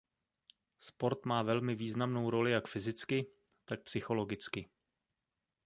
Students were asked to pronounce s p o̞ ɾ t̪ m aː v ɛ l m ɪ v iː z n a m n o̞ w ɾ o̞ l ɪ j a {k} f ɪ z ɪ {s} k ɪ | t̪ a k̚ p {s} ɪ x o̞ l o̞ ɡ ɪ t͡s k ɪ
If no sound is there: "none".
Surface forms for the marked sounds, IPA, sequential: k, t͡s, s

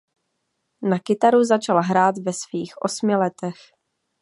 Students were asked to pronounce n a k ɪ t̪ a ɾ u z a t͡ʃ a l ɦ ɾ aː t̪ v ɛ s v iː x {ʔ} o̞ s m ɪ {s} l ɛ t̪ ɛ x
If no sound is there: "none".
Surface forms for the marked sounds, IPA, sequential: ʔ, none

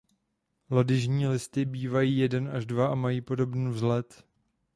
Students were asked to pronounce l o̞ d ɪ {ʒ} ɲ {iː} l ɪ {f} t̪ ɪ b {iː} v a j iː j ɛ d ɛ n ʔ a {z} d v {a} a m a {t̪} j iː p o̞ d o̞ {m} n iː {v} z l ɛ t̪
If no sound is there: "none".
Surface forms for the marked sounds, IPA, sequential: ʒ, iː, s, iː, ʒ, a, none, b, v

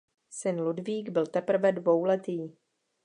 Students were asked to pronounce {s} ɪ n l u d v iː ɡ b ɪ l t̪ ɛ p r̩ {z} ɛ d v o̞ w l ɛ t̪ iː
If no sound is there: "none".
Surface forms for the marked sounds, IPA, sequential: s, v

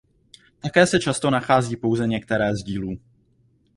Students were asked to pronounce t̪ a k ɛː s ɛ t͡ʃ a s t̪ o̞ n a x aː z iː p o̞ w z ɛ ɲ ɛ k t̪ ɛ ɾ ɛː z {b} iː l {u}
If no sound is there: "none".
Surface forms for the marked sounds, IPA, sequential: ɟ, uː

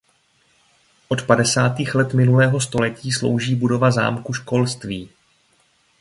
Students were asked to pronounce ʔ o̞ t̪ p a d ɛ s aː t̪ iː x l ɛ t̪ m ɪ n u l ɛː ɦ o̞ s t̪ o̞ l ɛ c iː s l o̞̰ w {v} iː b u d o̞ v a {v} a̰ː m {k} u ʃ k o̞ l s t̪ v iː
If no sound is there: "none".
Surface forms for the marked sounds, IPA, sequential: ʒ, z, k

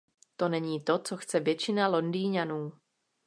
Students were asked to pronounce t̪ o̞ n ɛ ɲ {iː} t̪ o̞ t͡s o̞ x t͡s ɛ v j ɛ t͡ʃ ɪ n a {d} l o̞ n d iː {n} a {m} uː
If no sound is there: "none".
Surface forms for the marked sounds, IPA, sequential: iː, none, ɲ, n

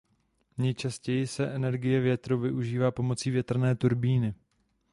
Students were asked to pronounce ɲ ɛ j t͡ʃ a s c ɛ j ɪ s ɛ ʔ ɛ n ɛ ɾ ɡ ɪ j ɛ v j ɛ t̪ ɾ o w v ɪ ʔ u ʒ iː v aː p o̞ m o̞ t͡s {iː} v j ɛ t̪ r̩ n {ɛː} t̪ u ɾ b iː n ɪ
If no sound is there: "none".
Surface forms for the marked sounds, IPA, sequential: iː, ɛː

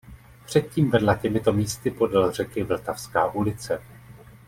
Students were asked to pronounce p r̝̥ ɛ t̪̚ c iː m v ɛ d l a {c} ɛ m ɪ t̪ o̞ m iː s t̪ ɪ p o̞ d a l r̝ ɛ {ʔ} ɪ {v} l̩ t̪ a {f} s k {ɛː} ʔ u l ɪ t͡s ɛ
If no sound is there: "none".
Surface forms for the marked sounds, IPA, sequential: c, k, v, f, aː

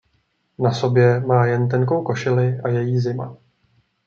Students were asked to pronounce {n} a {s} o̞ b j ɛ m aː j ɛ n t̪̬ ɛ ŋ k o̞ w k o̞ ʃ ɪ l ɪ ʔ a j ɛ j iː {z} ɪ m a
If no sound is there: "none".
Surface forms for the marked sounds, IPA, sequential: n, s, z

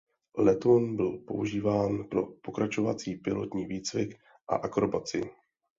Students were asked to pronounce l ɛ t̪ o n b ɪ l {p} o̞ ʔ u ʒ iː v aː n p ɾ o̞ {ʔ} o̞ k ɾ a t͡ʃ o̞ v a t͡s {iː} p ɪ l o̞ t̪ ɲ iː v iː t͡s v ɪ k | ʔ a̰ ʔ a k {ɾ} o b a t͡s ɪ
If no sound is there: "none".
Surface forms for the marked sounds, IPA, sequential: p, p, iː, ɾ

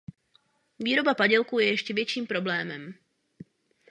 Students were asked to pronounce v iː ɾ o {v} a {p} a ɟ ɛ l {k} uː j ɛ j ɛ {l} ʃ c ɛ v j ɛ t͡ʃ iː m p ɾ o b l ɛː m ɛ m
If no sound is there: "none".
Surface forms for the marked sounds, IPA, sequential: b, p, k, none

